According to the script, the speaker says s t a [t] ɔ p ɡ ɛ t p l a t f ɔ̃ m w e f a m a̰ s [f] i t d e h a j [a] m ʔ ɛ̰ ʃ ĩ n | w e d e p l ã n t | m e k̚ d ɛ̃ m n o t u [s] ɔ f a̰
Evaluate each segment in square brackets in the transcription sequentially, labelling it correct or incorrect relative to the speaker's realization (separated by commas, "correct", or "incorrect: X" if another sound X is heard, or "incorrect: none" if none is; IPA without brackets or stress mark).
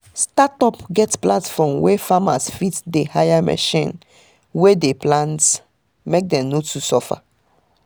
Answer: correct, correct, correct, correct